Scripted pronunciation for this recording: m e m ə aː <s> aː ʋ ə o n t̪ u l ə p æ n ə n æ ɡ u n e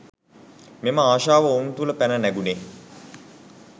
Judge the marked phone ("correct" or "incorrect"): incorrect